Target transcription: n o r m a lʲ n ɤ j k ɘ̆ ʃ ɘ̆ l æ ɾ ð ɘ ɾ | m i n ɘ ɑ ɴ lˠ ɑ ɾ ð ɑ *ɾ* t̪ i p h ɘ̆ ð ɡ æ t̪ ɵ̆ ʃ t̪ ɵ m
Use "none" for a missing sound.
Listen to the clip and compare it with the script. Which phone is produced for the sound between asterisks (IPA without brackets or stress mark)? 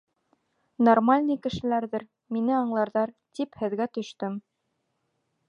ɾ